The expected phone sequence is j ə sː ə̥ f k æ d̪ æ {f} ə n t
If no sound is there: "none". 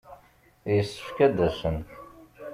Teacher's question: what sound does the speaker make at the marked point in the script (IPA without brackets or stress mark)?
s